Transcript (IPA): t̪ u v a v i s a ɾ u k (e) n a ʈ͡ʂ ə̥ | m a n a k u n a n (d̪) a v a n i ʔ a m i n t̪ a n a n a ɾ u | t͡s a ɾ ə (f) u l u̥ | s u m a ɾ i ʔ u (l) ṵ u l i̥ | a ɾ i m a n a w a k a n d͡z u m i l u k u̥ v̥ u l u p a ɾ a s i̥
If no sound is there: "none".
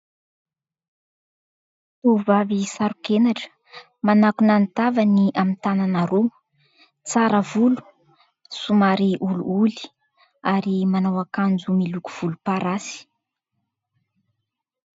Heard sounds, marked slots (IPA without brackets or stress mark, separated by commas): e, t̪, v, l